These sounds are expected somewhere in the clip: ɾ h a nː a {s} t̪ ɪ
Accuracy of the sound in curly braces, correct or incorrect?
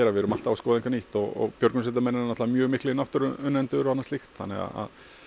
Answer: correct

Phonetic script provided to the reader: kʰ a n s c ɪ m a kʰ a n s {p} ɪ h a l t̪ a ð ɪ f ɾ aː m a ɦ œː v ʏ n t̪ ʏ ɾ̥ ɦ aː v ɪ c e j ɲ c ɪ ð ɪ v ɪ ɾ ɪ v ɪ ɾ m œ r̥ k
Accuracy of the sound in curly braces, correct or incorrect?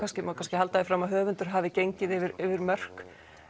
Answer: incorrect: c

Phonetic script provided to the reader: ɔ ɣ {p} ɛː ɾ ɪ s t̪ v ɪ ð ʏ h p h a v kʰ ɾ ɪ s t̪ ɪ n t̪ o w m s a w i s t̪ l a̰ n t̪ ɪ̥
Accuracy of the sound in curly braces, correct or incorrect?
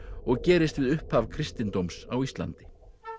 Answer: incorrect: c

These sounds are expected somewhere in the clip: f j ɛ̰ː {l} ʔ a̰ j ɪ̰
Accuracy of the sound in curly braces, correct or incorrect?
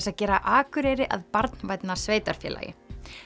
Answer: correct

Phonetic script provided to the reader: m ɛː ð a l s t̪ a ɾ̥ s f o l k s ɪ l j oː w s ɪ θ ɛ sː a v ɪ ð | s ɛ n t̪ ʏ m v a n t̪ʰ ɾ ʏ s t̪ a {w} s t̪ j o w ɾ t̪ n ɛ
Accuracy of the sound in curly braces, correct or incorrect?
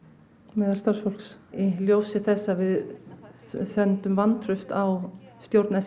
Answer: correct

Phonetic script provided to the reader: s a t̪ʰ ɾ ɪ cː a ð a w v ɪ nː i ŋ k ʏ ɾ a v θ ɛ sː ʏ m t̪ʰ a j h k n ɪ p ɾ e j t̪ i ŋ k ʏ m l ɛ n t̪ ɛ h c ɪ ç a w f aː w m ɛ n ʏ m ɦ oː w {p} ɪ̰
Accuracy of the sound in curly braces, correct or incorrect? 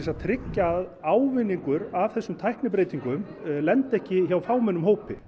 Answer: correct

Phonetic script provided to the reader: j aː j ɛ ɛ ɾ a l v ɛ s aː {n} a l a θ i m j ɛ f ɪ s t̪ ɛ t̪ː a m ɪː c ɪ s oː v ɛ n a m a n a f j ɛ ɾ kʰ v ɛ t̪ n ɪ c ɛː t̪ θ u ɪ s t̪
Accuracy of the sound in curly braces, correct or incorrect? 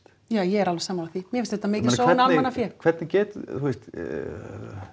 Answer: incorrect: m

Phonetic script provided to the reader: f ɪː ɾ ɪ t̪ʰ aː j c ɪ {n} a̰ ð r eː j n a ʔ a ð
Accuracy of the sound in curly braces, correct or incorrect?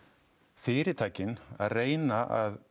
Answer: correct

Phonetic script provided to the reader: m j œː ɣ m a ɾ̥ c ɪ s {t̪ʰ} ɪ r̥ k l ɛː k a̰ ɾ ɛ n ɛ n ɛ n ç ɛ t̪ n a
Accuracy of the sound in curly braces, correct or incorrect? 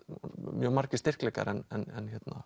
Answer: incorrect: t̪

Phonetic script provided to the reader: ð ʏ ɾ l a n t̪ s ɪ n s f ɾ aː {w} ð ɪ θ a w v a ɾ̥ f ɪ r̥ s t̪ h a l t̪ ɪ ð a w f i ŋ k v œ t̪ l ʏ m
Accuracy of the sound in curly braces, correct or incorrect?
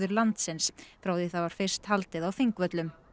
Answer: correct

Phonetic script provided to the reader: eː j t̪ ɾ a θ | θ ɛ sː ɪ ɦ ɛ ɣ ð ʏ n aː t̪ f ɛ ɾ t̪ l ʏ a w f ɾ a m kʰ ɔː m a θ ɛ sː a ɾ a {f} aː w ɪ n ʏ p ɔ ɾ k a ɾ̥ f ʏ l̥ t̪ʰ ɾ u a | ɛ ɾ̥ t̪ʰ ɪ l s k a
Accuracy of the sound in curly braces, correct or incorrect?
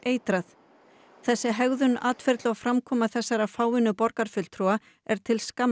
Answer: correct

